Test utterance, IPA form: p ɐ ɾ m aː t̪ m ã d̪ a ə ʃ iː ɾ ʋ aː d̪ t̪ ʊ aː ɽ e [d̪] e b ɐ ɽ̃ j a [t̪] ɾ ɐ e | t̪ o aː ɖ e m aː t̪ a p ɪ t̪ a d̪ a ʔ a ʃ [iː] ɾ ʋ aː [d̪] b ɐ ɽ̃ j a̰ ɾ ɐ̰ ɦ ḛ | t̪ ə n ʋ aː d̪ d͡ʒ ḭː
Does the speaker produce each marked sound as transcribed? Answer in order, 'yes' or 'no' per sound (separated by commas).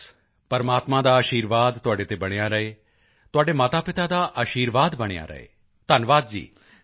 no, no, yes, yes